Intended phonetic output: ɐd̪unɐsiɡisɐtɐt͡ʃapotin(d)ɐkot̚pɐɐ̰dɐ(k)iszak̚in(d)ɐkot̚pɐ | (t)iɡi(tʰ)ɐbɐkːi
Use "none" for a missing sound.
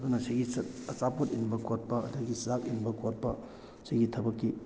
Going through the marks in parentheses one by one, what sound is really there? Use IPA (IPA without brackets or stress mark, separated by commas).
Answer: b, ɡ, b, s, tʰ